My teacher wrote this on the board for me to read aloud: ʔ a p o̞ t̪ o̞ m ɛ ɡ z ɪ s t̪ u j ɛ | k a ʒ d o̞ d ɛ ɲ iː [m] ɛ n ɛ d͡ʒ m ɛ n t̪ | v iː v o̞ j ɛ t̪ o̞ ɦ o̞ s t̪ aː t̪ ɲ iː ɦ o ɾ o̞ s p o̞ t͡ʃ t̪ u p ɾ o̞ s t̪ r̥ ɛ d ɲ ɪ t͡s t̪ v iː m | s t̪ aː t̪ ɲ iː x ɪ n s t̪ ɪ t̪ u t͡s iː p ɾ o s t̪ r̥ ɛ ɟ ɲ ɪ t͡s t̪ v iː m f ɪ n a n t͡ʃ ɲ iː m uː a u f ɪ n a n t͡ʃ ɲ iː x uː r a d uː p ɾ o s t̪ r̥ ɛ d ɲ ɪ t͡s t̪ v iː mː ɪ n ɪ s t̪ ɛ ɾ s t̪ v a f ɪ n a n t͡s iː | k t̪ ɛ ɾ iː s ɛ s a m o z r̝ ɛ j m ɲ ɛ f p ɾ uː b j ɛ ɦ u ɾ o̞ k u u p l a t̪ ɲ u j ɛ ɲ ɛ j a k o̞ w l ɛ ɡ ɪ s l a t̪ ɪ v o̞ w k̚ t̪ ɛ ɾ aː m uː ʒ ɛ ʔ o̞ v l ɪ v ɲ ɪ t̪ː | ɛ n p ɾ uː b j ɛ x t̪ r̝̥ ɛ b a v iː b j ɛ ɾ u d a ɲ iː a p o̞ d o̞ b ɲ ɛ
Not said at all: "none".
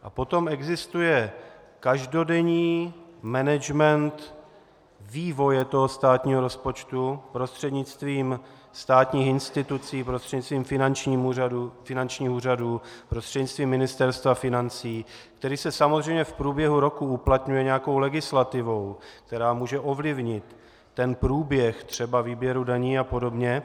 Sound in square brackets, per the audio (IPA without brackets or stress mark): m